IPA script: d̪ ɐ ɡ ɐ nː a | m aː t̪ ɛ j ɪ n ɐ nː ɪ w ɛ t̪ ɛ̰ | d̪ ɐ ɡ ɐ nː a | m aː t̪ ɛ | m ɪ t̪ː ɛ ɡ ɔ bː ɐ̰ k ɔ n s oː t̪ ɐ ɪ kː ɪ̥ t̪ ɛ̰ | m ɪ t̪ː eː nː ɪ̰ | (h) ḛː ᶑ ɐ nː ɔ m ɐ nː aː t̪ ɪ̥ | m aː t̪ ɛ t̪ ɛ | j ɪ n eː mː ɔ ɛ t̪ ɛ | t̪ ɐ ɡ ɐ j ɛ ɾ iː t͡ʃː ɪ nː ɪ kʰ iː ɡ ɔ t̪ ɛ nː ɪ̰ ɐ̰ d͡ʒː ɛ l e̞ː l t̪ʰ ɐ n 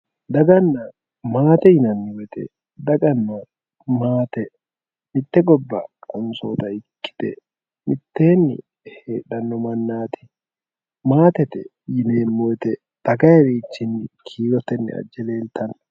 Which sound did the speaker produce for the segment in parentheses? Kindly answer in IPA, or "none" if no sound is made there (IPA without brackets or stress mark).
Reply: h